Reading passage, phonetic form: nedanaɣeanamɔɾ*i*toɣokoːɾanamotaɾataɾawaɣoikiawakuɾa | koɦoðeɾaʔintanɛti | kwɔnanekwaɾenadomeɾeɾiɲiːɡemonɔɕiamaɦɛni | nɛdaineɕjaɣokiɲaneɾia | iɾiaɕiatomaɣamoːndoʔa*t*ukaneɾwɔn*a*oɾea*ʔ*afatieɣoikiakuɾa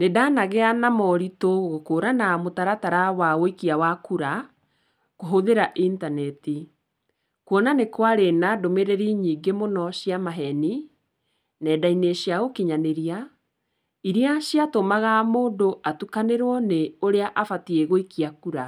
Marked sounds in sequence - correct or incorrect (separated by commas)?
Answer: correct, correct, incorrect, correct